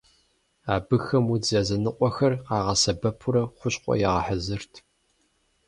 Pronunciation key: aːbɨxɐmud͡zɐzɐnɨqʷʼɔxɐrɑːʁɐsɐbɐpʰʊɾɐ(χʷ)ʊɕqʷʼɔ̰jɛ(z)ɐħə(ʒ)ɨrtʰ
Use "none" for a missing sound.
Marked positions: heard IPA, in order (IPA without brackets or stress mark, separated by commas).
χʷ, ʁ, z